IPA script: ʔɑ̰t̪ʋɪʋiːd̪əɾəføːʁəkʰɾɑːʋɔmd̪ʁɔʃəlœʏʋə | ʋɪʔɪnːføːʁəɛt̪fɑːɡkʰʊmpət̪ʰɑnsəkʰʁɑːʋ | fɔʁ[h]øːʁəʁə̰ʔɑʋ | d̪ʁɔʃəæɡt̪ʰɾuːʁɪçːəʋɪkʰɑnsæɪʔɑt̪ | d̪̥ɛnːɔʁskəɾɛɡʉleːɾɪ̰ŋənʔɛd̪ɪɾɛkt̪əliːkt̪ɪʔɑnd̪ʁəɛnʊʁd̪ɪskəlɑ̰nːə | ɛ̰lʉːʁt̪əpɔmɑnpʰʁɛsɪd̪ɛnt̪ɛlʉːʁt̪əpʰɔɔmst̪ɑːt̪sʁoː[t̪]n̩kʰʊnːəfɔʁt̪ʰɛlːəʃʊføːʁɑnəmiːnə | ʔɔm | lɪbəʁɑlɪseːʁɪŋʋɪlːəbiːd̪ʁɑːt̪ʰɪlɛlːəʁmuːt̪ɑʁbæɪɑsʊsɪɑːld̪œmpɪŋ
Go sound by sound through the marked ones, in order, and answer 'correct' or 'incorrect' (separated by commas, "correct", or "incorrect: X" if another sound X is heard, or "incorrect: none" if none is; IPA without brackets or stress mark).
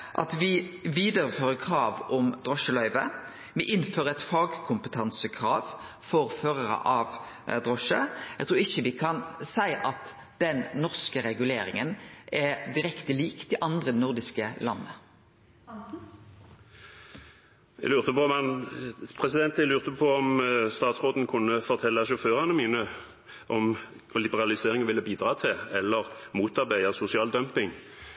incorrect: f, incorrect: d̪